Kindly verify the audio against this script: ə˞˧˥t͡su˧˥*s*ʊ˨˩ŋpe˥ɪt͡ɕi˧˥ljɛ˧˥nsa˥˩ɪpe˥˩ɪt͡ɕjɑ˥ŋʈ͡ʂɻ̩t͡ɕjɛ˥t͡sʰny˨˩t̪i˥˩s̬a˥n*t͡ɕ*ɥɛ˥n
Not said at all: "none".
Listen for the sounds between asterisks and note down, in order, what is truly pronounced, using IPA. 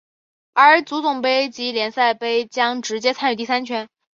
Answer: t͡s, t͡ɕʰ

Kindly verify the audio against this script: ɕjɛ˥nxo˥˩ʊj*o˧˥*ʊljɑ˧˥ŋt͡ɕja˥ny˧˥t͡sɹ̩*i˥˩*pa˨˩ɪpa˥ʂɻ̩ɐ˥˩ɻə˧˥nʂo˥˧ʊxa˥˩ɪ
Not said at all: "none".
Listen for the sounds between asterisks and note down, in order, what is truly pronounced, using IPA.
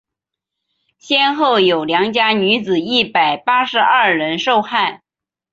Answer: o˨˩, i˥˩

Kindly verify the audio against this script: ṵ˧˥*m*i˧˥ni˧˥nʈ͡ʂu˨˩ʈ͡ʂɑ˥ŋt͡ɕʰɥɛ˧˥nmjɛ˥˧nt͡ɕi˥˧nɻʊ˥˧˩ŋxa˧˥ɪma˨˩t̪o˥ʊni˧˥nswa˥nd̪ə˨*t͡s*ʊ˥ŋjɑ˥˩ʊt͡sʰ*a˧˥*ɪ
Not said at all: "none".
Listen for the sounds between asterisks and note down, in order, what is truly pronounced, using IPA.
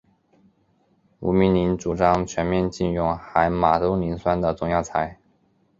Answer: m, t͡s, a˧˥

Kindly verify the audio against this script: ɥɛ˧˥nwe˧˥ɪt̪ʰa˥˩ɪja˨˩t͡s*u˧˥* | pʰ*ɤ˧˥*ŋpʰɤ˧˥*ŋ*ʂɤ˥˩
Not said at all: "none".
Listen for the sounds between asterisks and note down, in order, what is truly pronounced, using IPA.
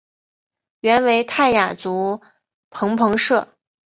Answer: u˧˥, ɤ˧˥, ŋ

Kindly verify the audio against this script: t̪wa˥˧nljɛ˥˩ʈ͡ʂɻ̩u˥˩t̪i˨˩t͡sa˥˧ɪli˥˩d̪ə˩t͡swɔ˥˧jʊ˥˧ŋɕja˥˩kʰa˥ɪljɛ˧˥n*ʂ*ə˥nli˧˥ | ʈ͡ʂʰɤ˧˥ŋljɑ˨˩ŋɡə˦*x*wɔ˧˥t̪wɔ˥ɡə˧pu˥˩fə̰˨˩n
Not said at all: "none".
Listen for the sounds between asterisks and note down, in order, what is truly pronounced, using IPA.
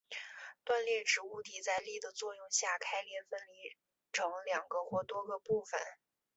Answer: f, x

